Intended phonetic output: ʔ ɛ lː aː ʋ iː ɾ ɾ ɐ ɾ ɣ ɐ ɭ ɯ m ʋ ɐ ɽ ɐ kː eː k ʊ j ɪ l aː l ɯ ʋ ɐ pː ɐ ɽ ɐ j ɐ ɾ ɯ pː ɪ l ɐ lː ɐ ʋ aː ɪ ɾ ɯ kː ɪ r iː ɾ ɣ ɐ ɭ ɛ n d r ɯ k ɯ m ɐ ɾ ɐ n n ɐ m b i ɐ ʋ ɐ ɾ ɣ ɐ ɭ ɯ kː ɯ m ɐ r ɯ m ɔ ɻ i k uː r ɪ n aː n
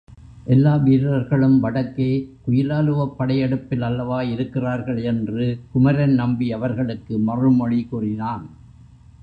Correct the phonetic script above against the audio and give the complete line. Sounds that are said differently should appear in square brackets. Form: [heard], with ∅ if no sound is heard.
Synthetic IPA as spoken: ʔ ɛ lː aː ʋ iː ɾ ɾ ɐ ɾ ɣ ɐ ɭ ɯ m ʋ ɐ ɽ ɐ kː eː k ʊ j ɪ l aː l ɯ ʋ ɐ pː ɐ ɽ ɐ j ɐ [ɽ] ɯ pː ɪ l ɐ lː ɐ ʋ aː ɪ ɾ ɯ kː ɪ r [aː] ɾ ɣ ɐ ɭ ɛ n d r ɯ k [ʊ] m ɐ ɾ ɐ n n ɐ m b i ɐ ʋ ɐ ɾ ɣ ɐ ɭ ɯ kː ɯ m ɐ r ɯ m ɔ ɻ i k uː r ɪ n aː n